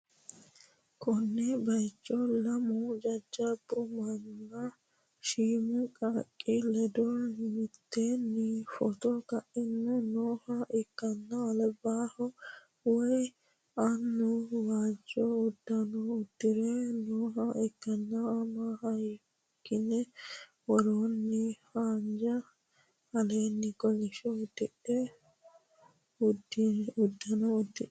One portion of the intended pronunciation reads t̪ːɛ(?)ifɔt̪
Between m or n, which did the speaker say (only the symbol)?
n